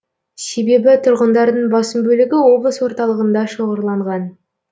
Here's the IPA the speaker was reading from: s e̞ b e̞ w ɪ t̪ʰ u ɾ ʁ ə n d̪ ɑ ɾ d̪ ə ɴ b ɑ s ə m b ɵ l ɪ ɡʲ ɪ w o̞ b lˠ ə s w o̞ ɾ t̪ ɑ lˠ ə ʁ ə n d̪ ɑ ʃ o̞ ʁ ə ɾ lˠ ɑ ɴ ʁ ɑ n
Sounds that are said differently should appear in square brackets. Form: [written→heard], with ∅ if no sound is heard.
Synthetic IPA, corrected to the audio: s e̞ b e̞ [w→b] ɪ t̪ʰ [u→ʊ] ɾ ʁ ə n d̪ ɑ ɾ d̪ ə ɴ b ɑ s ə m b ɵ l ɪ ɡʲ ɪ w o̞ b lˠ ə s w o̞ ɾ t̪ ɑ lˠ ə ʁ ə n d̪ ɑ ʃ o̞ ʁ ə ɾ lˠ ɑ ɴ ʁ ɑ n

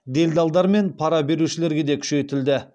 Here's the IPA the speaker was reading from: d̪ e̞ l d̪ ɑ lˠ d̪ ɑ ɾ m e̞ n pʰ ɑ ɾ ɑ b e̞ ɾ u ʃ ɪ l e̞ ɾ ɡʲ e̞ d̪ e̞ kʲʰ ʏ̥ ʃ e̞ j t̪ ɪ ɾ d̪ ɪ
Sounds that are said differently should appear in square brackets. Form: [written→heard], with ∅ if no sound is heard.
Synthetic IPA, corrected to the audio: d̪ e̞ l d̪ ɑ lˠ d̪ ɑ ɾ m e̞ n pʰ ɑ ɾ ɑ b e̞ ɾ u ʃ ɪ l e̞ ɾ ɡʲ e̞ d̪ e̞ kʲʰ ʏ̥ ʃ e̞ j t̪ ɪ [ɾ→l] d̪ ɪ

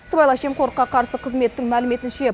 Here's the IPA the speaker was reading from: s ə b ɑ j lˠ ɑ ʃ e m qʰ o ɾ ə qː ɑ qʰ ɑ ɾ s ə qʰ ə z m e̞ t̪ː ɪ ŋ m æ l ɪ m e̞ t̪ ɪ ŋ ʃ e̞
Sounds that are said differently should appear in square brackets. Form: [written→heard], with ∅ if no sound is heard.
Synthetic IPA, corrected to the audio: s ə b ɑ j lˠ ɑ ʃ e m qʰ o ɾ ə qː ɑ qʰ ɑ ɾ s ə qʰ ə z m e̞ t̪ː ɪ ŋ m æ l ɪ m e̞ t̪ ɪ [ŋ→n] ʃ e̞

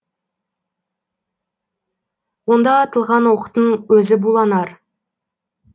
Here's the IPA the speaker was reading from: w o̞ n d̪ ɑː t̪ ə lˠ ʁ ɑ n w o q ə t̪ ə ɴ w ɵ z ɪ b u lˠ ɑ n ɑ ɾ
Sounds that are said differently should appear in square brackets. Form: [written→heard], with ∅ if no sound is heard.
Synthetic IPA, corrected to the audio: w o̞ n d̪ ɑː t̪ ə lˠ ʁ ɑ n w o q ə t̪ ə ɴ w ɵ z ɪ b u lˠ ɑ n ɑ ɾ

